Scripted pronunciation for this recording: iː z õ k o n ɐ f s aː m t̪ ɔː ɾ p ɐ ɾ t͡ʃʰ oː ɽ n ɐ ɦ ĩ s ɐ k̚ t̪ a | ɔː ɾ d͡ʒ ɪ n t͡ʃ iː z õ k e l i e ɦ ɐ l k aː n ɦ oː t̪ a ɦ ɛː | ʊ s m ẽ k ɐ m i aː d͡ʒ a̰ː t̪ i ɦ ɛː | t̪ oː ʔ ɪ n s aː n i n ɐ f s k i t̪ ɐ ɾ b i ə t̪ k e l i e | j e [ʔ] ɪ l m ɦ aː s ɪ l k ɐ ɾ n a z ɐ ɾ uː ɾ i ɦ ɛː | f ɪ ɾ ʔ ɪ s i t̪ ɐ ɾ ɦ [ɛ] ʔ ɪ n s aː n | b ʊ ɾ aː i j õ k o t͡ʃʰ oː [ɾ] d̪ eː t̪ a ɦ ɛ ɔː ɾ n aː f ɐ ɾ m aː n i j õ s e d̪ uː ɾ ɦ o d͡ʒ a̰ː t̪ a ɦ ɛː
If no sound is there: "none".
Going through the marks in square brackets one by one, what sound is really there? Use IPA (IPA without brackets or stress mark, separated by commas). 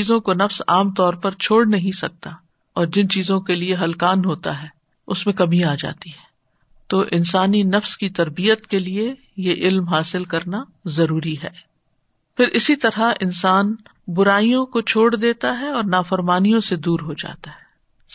ʔ, a, ɽ